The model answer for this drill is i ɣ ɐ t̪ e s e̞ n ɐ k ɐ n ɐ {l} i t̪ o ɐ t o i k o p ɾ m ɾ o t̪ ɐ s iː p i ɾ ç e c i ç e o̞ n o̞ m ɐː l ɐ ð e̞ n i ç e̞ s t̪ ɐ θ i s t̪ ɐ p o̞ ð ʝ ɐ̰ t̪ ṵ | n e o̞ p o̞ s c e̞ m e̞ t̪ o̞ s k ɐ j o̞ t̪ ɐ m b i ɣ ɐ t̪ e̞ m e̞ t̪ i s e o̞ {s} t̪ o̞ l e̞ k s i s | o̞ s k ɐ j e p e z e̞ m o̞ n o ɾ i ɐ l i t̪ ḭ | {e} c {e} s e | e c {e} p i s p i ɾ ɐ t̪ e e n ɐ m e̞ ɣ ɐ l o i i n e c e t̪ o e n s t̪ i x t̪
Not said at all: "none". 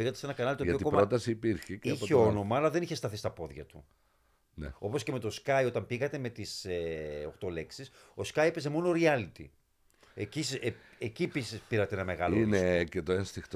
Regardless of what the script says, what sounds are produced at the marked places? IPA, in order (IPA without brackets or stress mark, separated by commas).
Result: l, x, e, i, i